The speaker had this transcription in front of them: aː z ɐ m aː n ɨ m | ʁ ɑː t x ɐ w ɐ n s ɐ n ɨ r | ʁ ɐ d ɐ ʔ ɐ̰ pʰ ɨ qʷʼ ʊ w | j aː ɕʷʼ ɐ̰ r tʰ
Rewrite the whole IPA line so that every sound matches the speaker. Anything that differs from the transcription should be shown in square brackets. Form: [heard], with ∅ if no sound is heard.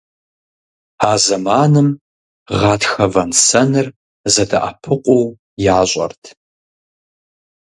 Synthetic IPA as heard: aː z ɐ m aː n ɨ m | ʁ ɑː t x ɐ [v] ɐ n s ɐ n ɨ r | [z] ɐ d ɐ ʔ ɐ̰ pʰ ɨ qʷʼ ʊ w | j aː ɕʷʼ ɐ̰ r tʰ